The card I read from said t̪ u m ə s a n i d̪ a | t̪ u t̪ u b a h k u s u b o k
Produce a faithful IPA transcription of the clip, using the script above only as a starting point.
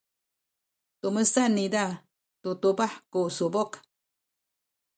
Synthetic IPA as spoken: t̪ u m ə s a n i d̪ a | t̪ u t̪ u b a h k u s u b o k